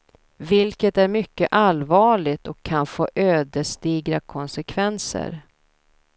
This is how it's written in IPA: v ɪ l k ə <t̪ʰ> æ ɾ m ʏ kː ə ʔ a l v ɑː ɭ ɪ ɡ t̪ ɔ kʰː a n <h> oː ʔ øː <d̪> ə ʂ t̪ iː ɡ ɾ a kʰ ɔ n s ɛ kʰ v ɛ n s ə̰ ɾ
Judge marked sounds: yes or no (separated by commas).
no, no, yes